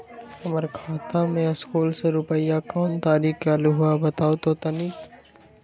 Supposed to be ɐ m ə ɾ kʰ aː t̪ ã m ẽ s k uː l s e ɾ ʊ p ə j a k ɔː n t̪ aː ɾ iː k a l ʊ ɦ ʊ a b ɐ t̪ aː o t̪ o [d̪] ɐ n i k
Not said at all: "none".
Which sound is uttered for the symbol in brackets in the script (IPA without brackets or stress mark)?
t̪